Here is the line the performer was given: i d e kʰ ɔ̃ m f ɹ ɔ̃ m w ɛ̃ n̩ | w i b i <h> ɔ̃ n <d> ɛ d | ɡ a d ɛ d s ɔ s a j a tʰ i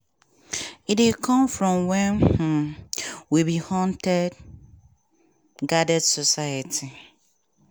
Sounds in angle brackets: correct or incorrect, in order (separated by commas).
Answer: correct, incorrect